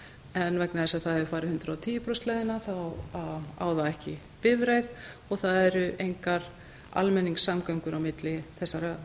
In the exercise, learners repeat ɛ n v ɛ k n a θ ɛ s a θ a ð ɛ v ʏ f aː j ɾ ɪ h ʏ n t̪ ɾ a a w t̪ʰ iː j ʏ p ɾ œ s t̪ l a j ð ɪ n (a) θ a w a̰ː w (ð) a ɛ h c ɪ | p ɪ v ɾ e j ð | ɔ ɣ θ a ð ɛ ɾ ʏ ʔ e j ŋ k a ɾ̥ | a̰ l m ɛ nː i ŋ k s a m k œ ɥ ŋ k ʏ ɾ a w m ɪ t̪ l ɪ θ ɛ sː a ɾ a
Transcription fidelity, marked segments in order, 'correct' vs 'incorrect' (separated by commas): correct, correct